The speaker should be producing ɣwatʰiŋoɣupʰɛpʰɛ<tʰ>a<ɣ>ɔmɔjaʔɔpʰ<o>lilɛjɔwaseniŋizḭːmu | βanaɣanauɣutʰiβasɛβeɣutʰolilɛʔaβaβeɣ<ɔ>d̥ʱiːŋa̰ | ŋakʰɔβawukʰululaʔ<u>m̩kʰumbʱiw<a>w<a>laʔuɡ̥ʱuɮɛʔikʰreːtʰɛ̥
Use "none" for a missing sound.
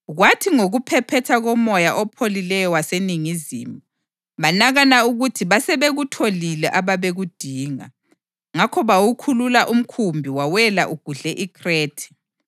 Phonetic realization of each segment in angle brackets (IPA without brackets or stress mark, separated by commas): tʰ, ɣ, o, u, u, a, ɛ